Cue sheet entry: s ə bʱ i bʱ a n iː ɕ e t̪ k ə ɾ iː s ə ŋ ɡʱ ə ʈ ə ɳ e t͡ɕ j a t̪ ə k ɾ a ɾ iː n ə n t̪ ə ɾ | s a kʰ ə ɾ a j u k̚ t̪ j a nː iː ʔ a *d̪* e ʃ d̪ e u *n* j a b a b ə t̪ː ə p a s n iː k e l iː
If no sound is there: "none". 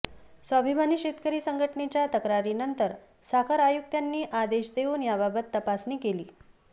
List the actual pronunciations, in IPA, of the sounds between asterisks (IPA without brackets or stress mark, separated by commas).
d̪, n